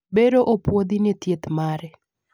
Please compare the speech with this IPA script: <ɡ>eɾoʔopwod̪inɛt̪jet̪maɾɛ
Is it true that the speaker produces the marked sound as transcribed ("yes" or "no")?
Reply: no